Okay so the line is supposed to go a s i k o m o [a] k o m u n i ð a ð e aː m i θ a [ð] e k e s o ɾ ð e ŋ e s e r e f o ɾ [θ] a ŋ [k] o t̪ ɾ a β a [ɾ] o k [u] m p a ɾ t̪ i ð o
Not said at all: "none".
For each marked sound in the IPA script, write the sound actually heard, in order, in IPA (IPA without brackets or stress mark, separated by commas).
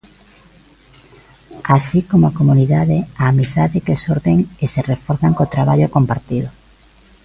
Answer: a, ð, θ, k, ʎ, o